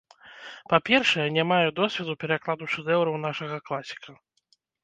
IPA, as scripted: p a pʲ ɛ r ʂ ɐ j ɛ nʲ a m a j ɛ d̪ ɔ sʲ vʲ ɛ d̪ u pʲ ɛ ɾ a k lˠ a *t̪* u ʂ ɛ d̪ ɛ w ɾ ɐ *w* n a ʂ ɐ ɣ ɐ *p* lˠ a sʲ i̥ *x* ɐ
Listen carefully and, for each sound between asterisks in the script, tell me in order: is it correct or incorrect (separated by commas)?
incorrect, correct, incorrect, incorrect